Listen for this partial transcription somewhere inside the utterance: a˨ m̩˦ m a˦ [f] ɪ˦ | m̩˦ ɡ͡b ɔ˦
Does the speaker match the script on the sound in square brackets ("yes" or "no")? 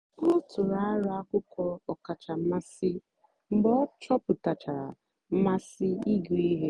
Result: no